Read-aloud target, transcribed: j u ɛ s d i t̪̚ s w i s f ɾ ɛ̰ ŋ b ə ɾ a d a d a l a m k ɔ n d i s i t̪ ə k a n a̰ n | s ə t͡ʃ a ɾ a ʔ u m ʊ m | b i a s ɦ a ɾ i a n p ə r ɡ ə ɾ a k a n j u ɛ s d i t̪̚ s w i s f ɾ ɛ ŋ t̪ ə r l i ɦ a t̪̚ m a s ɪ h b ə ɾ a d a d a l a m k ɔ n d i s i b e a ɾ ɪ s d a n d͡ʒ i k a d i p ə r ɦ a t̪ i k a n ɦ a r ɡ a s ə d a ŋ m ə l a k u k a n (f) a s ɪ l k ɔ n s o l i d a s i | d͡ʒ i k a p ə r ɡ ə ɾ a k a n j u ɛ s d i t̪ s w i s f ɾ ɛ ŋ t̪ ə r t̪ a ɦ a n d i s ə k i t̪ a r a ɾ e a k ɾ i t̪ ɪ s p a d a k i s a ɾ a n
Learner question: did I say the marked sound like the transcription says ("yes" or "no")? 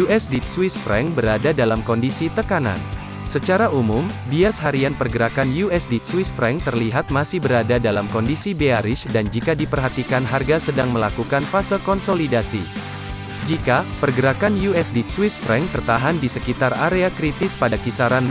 yes